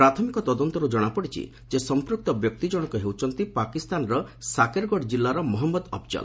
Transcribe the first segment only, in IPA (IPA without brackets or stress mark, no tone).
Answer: ɾ